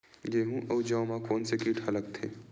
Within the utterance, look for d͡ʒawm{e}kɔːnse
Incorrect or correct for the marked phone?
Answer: incorrect: a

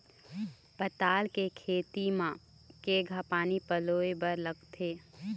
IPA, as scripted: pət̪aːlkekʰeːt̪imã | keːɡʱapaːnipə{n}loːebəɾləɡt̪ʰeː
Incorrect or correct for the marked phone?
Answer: incorrect: none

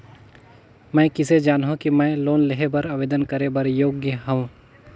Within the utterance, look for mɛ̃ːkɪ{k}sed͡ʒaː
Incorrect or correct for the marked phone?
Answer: incorrect: none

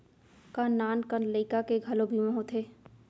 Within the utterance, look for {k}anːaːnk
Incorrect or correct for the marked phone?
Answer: correct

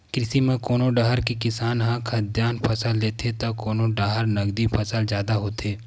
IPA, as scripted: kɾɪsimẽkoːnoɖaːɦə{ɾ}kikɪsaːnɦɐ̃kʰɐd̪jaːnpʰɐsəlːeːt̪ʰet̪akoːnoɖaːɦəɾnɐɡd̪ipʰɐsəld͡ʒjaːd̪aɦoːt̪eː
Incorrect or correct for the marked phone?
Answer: correct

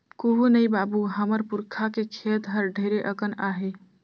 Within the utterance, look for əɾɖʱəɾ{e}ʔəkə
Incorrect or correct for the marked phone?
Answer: correct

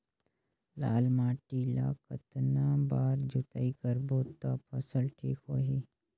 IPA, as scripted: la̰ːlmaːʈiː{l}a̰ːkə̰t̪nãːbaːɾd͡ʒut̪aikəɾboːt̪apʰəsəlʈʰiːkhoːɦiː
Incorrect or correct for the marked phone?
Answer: correct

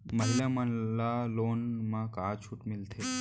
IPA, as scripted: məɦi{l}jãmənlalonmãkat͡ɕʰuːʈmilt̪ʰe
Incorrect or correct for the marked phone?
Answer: correct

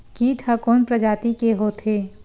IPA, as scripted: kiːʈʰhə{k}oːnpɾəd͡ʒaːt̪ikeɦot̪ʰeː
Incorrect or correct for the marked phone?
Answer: correct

